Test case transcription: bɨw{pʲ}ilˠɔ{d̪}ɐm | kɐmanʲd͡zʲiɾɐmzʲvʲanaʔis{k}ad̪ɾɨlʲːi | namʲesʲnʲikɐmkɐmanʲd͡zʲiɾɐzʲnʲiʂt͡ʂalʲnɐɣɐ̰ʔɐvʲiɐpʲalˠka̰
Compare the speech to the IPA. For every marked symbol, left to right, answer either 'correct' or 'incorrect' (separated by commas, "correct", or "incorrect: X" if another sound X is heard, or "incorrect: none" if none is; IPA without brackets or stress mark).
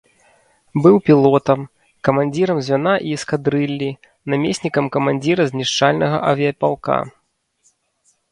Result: correct, incorrect: t̪, correct